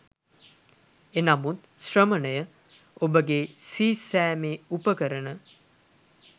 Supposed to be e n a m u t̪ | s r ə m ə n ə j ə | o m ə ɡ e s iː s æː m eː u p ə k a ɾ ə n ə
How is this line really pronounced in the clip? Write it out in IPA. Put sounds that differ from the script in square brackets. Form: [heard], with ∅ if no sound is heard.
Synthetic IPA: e n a m u t̪ | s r ə m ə n ə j ə | o [b] ə ɡ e s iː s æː m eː u p ə k [ə] ɾ ə n ə